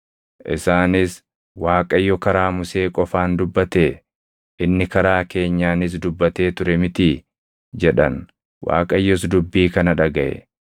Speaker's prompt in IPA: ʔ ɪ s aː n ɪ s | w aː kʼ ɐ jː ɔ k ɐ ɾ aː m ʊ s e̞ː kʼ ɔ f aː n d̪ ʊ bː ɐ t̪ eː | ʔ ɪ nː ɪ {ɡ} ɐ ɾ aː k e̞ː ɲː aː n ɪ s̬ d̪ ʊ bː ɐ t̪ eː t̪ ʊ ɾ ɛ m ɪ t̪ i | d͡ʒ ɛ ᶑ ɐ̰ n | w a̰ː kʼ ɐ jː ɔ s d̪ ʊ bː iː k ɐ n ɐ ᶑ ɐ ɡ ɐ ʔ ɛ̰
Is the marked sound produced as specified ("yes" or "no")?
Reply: no